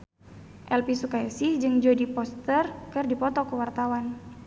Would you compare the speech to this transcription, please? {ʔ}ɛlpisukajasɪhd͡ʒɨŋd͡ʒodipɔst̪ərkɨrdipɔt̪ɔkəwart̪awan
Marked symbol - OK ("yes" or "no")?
yes